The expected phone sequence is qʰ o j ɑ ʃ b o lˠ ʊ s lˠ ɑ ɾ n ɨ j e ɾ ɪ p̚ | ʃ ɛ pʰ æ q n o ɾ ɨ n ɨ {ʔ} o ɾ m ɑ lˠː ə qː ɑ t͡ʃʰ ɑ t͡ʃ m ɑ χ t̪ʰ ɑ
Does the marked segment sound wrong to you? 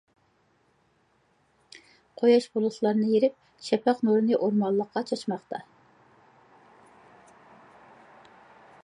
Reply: no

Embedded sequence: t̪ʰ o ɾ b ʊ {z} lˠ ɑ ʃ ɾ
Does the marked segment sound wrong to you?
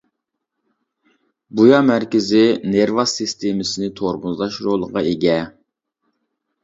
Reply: no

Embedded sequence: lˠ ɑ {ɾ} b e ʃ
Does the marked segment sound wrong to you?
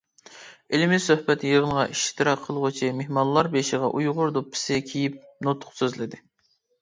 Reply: no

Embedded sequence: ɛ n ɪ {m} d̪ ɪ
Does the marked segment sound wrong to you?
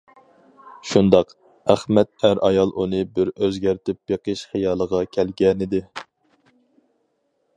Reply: yes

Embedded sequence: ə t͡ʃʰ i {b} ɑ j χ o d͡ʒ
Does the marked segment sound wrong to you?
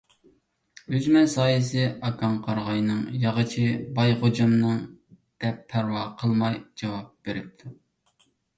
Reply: no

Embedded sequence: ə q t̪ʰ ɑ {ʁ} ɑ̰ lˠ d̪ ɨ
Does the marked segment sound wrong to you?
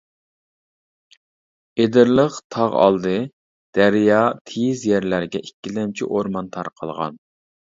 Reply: no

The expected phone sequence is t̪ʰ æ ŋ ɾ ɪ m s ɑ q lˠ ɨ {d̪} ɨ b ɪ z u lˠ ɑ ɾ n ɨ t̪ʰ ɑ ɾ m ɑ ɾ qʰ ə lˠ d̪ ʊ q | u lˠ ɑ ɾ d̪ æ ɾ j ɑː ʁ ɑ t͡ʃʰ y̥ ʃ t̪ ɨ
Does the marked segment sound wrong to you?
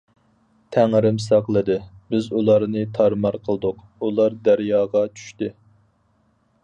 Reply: no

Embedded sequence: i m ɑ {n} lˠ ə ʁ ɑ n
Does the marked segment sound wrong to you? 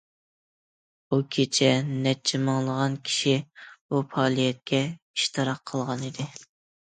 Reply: yes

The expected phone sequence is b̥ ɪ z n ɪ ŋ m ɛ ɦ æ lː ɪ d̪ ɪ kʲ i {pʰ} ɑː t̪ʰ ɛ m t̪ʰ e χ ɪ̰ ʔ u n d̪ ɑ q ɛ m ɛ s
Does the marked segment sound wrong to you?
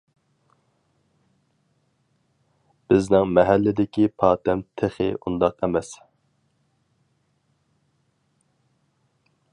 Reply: no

